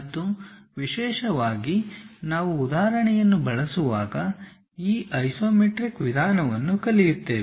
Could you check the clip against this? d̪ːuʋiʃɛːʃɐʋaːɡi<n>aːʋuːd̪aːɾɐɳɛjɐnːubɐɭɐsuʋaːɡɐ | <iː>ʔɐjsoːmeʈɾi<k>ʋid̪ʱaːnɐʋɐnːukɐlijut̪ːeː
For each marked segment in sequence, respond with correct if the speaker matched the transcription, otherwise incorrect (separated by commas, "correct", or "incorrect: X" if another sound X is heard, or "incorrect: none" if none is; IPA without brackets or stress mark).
correct, correct, correct